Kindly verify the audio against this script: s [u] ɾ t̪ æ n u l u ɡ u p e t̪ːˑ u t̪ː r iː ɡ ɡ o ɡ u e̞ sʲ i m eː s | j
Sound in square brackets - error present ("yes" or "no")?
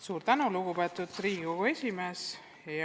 yes